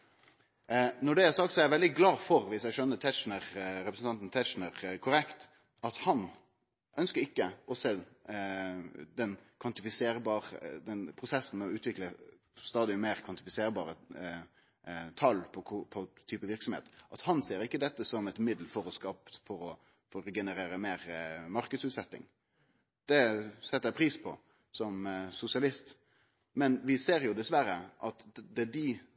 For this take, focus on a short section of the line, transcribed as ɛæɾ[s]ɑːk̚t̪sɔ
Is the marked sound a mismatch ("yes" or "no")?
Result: no